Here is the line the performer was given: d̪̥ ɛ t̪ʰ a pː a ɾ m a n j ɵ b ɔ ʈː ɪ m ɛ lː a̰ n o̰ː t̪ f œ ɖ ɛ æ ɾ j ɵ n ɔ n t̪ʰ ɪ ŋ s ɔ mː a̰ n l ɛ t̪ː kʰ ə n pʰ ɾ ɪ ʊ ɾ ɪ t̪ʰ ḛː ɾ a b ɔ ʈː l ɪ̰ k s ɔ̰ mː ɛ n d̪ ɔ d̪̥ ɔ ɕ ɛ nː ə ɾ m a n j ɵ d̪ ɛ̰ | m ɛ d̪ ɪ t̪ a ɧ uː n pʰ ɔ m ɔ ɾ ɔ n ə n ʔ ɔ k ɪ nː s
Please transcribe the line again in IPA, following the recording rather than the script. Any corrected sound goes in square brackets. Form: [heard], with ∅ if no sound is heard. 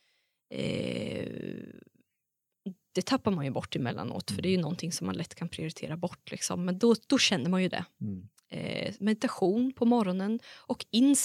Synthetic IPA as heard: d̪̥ ɛ t̪ʰ a pː a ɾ m a n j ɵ b ɔ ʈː ɪ m ɛ lː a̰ n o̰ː t̪ f œ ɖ ɛ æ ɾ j ɵ n ɔ n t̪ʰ ɪ ŋ s ɔ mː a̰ n l ɛ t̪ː kʰ [a] n pʰ ɾ ɪ ʊ ɾ ɪ t̪ʰ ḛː ɾ a b ɔ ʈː l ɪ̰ k s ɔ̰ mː ɛ n d̪ ɔ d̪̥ ɔ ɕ ɛ nː ə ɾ m a n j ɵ d̪ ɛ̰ | m ɛ d̪ ɪ t̪ a ɧ uː n pʰ ɔ m ɔ ɾ ɔ n ə n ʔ ɔ k ɪ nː s